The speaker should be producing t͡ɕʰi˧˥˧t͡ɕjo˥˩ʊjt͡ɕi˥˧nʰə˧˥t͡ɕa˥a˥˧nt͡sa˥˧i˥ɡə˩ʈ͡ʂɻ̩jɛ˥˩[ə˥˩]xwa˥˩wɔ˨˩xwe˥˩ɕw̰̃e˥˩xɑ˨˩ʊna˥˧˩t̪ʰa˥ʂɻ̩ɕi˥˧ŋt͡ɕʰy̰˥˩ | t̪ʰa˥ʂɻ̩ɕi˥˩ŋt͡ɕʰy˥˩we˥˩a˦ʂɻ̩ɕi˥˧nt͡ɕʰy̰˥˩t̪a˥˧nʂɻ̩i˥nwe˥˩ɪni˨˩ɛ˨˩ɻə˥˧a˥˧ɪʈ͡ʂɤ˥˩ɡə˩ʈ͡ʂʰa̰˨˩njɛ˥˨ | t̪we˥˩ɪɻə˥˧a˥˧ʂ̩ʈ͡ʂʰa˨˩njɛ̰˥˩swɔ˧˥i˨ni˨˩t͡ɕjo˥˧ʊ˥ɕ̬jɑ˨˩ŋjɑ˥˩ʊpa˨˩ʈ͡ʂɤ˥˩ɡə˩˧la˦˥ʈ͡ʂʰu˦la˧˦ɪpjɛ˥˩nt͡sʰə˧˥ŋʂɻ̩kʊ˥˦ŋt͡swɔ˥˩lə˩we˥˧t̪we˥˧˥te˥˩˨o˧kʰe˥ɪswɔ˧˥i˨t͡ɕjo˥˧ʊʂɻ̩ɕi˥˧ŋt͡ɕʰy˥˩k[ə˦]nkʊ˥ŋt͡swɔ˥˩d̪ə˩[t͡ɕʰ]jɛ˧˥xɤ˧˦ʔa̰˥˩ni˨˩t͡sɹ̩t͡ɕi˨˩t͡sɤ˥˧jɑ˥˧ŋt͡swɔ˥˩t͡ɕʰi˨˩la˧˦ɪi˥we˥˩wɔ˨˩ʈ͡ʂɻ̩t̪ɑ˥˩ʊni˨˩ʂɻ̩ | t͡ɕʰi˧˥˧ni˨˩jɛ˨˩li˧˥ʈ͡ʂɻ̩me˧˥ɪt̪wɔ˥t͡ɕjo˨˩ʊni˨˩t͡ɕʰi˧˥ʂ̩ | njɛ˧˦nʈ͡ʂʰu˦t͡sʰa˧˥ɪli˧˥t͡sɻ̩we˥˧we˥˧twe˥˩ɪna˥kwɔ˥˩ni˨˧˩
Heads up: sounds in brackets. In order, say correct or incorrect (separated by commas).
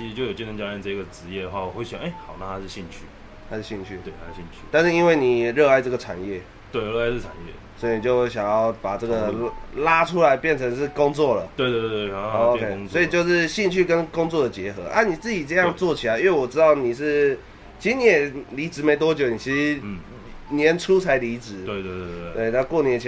incorrect, correct, incorrect